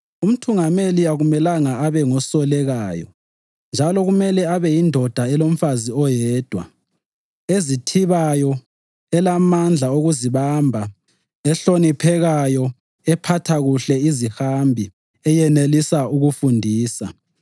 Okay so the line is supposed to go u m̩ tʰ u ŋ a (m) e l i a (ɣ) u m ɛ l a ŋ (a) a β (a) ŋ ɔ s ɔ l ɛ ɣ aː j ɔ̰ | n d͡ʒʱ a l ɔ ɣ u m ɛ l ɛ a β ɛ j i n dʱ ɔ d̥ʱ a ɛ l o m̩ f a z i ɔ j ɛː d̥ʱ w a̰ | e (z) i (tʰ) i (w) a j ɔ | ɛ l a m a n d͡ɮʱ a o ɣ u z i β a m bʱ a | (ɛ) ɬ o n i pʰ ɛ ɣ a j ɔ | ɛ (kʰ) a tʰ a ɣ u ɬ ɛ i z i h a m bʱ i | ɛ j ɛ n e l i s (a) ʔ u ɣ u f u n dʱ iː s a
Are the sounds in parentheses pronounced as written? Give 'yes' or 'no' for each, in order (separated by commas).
yes, yes, yes, no, yes, yes, no, yes, no, yes